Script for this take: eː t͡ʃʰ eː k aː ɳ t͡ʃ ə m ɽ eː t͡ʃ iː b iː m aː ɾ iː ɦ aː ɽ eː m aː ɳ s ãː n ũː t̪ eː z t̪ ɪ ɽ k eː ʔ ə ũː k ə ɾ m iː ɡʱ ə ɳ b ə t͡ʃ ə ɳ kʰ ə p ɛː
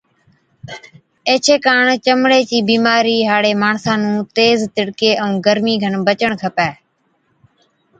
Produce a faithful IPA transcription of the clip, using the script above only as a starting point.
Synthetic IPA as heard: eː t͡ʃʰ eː k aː ɳ t͡ʃ ə m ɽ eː t͡ʃ iː b iː m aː ɾ iː ɦ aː ɽ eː m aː ɳ s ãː n ũː t̪ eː z t̪ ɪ ɽ k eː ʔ ə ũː ɡ ə ɾ m iː ɡʱ ə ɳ b ə t͡ʃ ə ɳ kʰ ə p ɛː